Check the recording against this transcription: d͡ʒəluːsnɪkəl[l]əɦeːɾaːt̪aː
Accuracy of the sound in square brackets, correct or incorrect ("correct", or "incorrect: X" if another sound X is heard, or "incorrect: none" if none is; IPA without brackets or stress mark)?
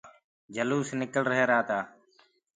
incorrect: ɾ